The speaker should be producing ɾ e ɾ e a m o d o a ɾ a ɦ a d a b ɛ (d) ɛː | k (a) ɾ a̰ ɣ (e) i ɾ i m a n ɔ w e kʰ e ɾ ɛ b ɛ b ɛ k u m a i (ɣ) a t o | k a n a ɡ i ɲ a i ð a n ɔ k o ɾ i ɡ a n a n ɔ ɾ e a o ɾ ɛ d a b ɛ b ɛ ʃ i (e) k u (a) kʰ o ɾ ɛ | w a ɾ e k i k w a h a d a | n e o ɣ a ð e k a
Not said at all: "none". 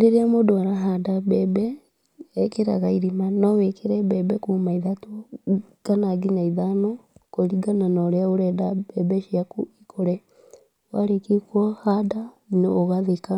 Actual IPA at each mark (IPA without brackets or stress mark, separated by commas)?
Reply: b, e, a, ð, a, i